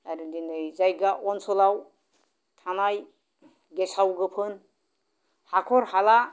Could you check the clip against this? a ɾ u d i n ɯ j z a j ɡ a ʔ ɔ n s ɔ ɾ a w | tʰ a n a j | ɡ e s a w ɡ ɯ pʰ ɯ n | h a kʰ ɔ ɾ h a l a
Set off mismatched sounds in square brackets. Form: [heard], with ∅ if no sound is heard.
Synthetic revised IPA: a ɾ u d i n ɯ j z a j ɡ a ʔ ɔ n s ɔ [l] a w | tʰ a n a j | ɡ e s a w ɡ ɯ pʰ ɯ n | h a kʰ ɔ ɾ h a l a

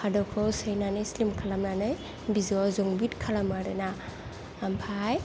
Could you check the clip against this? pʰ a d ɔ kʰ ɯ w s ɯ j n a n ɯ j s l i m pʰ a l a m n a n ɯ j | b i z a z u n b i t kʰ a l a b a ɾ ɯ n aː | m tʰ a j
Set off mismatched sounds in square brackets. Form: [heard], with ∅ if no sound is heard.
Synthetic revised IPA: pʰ a d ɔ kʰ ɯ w s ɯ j n a n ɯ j s l i m [kʰ] a l a m n a n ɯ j | b i z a z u [ŋ] b i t kʰ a l a [m] a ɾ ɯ n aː | m [pʰ] a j

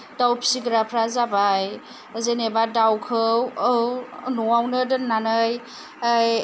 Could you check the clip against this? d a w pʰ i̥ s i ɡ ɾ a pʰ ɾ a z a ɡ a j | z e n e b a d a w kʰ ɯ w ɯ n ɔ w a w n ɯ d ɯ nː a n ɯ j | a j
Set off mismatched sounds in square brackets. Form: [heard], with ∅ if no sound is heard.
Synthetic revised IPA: d a w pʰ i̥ s i ɡ ɾ a pʰ ɾ a z a [b] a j | z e n e b a d a w kʰ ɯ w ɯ n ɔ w a w n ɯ d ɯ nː a n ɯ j | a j

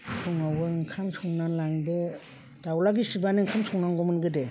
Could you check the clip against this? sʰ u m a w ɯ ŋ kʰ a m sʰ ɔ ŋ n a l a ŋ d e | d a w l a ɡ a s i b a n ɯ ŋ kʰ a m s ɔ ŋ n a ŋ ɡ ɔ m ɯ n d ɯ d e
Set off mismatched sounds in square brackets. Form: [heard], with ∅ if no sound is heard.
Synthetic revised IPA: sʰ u [ŋ] a w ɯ ŋ kʰ a m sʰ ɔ ŋ n a l a ŋ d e | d a w l a ɡ [i] s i b a n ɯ ŋ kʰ a m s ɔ ŋ n a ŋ ɡ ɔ m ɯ n [ɡ] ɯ d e

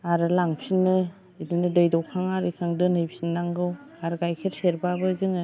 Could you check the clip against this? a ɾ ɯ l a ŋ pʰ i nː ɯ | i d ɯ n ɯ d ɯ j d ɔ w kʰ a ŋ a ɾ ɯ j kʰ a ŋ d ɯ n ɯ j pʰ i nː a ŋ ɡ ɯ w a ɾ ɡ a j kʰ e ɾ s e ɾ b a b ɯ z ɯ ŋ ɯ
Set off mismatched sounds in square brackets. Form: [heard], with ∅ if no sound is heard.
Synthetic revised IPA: a ɾ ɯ l a ŋ pʰ i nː ɯ | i d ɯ n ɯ d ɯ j d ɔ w kʰ a ŋ a ɾ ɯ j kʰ a ŋ d ɯ n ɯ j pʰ i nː a ŋ ɡ ɯ w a ɾ ɡ a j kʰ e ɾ s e ɾ b a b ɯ z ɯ ŋ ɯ

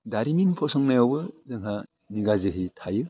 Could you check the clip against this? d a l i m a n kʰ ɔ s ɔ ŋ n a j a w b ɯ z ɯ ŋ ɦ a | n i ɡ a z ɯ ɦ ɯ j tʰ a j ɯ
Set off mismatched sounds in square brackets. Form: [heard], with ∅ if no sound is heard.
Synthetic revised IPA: d a [ɾ] i m [i] n [pʰ] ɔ s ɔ ŋ n a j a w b ɯ z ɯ ŋ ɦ a | n i ɡ a z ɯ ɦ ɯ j tʰ a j ɯ

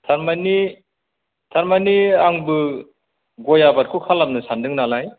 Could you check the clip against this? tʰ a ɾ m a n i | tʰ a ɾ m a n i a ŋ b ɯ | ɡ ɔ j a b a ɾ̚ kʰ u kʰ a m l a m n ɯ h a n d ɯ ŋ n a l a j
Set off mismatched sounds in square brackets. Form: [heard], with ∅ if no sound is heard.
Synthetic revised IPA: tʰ a ɾ m a n i | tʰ a ɾ m a n i a ŋ b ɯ | ɡ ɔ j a b a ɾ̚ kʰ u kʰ a [∅] l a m n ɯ [s] a n d ɯ ŋ n a l a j

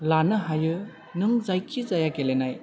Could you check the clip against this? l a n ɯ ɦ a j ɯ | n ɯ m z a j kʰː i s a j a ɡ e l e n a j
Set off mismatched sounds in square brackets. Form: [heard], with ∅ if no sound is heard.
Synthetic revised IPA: l a n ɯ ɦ a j ɯ | n ɯ [ŋ] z a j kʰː i [z] a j a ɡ e l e n a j

